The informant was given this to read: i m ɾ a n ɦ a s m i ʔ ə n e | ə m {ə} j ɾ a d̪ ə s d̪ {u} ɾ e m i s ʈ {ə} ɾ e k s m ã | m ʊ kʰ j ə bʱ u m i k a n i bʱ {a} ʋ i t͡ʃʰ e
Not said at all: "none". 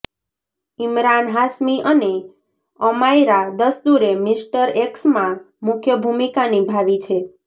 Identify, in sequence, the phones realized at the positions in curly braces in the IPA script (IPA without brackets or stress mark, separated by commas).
a, u, ə, a